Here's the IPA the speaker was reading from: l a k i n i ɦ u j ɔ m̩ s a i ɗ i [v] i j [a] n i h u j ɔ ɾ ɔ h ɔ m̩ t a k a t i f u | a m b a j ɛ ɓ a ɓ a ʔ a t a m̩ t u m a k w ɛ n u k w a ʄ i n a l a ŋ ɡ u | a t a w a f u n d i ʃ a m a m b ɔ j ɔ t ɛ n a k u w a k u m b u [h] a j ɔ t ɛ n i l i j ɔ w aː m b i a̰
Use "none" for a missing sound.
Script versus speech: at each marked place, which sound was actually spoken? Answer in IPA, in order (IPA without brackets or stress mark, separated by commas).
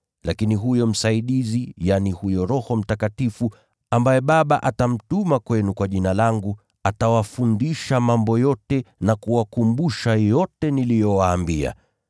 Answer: z, a, ʃ